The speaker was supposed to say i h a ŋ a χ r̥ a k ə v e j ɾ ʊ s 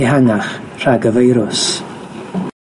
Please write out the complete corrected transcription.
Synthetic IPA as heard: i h a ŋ a χ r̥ a ɡ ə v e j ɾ ʊ s

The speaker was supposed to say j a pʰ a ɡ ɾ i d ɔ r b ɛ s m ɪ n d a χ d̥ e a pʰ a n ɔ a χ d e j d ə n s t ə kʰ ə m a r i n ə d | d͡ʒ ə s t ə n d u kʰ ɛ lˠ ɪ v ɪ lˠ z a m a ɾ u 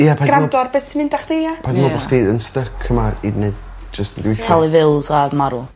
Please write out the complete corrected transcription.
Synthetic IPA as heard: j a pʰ a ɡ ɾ a d ɔ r b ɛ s m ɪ n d a χ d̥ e a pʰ a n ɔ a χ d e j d ə n s t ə kʰ ə m a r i n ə d | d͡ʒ ə s t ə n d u tʰ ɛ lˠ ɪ v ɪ lˠ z a m a ɾ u

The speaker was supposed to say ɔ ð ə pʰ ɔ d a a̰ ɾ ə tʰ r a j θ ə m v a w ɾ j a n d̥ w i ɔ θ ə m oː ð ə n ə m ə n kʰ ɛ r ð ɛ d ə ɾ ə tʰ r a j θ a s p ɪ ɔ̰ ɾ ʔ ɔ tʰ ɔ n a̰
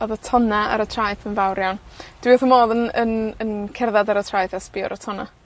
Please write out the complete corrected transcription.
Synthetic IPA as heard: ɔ ð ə tʰ ɔ n a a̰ ɾ ə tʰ r a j θ ə n v a w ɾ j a n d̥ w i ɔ θ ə m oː ð ə n ə n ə n kʰ ɛ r ð a d a ɾ ə tʰ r a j θ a s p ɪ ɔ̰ ɾ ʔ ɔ tʰ ɔ n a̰

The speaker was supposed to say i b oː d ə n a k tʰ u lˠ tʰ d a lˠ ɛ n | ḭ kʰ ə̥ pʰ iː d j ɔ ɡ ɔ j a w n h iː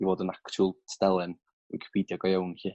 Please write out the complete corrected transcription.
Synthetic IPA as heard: i v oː d ə n a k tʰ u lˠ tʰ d ɛ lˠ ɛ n | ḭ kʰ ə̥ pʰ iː d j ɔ ɡ ɔ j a w n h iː

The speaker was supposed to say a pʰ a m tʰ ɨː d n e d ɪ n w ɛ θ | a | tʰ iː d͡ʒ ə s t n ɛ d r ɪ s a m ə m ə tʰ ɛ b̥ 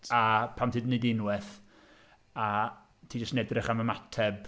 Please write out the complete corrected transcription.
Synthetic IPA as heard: a pʰ a m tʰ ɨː d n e d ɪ n w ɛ θ | a | tʰ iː d͡ʒ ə s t n ɛ d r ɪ χ a m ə m a tʰ ɛ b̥

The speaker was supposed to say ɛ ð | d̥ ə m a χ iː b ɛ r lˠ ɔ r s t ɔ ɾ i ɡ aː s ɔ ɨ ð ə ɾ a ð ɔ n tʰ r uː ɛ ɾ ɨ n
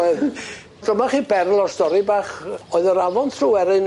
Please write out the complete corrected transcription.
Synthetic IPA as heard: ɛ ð | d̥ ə m a χ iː b ɛ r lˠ ɔ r s t ɔ ɾ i b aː χ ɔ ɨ ð ə ɾ a v ɔ n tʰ r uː ɛ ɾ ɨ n

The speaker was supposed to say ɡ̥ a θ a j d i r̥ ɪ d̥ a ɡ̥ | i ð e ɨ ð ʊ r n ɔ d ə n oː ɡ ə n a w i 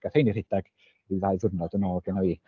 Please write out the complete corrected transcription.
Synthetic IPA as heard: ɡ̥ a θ e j n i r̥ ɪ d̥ a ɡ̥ | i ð a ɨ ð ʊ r n ɔ d ə n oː ɡ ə n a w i

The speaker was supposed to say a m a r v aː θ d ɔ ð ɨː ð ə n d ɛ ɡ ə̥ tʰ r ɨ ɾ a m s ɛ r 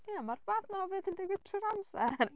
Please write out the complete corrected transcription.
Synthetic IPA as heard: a m a r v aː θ n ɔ v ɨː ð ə n d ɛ ɡ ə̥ tʰ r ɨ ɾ a m s ɛ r

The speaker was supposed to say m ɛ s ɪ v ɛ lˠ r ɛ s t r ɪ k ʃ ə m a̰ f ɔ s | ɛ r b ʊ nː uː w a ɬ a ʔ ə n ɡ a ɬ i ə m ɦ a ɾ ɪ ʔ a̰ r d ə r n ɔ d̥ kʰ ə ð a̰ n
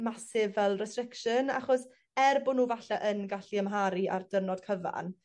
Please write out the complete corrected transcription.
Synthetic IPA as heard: m a s ɪ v ɛ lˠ r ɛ s t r ɪ k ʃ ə n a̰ χ ɔ s | ɛ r b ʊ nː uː v a ɬ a ʔ ə n ɡ a ɬ i ə m ɦ a ɾ i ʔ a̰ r d ə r n ɔ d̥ kʰ ə v a̰ n

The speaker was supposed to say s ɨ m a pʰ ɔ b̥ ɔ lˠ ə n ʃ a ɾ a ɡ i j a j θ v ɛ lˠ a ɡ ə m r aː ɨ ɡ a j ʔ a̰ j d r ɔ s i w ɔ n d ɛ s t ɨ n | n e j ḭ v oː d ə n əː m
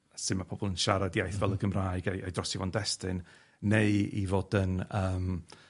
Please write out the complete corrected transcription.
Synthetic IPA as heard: s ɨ m a pʰ ɔ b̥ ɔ lˠ ə n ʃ a ɾ a d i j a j θ v ɛ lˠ ə ɡ ə m r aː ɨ ɡ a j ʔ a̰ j d r ɔ s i v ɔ n d ɛ s t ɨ n | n e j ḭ v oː d ə n əː m

